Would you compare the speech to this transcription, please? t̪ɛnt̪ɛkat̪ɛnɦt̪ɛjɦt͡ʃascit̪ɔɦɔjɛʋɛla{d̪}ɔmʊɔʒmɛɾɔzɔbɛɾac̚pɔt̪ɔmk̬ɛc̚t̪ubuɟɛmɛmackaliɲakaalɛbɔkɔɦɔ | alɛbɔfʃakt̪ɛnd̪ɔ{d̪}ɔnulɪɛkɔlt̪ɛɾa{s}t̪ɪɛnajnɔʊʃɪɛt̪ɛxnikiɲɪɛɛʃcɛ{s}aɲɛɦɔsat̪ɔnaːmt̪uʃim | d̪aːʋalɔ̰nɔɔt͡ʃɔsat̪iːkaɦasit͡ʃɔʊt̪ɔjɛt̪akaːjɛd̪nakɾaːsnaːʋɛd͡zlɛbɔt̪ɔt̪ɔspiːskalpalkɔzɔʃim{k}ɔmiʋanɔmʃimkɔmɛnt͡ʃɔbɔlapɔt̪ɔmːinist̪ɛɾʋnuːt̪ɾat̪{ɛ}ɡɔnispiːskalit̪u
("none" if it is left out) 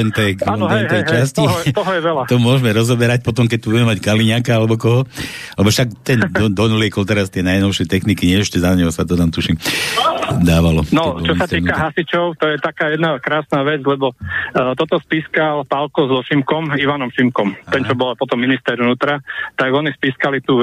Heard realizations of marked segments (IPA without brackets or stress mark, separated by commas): t̪, d̪, s, z, k, a